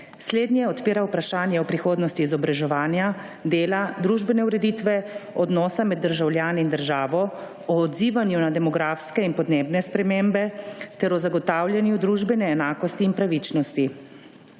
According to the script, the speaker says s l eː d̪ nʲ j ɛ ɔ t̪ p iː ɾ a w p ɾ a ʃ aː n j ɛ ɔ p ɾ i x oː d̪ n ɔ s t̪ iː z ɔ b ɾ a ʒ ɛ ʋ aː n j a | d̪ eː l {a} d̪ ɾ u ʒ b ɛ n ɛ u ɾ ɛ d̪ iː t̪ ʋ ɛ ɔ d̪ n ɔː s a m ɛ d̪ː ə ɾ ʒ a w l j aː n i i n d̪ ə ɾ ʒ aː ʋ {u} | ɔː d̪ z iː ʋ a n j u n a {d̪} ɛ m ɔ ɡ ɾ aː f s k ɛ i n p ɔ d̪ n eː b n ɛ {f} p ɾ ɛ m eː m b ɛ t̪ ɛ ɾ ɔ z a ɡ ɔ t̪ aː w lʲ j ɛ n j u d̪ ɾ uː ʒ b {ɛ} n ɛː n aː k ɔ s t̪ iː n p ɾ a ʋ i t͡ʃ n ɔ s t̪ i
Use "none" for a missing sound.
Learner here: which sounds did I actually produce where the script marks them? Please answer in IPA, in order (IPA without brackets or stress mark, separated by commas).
a, ɔ, d̪, s, ɛ